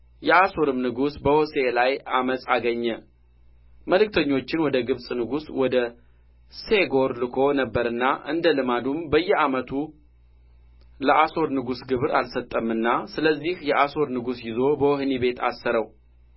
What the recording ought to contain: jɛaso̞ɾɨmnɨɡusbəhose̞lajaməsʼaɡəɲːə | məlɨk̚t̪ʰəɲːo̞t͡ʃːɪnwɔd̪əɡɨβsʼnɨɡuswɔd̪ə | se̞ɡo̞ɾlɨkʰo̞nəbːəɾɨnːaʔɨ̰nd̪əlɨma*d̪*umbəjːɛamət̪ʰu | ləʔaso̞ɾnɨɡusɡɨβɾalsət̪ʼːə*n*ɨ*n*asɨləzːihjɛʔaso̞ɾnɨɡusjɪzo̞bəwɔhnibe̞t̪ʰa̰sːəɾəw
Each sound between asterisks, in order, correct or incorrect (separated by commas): correct, incorrect, incorrect